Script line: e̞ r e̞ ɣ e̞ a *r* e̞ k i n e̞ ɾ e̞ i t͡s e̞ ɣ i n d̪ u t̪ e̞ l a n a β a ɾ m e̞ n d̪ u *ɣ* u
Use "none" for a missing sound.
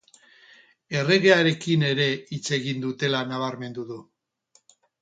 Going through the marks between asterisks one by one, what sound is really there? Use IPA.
ɾ, ð

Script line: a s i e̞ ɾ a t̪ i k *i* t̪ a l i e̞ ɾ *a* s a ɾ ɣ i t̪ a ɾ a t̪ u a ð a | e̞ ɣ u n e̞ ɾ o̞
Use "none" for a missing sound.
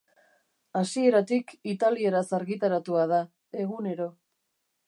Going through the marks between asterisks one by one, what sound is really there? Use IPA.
i, a

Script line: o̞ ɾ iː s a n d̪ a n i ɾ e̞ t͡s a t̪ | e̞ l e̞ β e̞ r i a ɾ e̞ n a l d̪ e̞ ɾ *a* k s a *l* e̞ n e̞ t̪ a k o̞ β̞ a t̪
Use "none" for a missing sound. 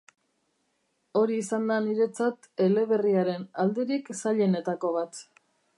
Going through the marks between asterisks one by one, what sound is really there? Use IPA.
i, ʎ

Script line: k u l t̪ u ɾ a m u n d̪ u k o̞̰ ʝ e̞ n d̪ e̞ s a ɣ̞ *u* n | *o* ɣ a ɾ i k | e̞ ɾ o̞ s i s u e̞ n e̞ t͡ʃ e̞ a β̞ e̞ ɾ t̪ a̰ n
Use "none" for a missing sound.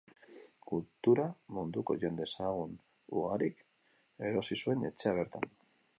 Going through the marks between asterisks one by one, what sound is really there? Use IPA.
u, u

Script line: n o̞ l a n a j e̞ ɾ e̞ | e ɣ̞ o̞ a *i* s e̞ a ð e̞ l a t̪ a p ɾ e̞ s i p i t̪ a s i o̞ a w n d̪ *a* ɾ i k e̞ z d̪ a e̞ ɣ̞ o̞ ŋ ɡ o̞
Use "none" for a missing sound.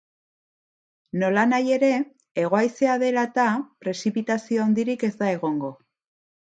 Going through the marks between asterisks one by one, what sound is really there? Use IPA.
j, i

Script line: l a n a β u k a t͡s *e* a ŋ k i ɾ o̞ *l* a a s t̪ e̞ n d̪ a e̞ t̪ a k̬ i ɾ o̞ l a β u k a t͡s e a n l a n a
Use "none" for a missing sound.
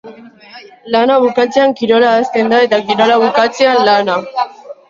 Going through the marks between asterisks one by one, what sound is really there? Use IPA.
e, l

